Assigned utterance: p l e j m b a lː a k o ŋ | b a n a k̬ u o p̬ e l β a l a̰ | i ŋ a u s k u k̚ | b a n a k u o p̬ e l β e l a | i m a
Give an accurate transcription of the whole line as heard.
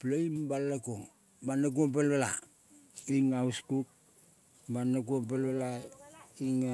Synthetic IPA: p l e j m b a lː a k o ŋ | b a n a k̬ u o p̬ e l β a l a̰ | i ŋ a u s k u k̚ | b a n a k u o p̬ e l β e l a | i ŋ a